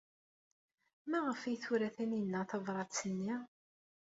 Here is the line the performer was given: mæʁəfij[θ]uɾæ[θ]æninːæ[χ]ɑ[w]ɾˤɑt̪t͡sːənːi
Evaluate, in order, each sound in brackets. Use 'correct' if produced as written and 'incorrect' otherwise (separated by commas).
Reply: correct, correct, incorrect, incorrect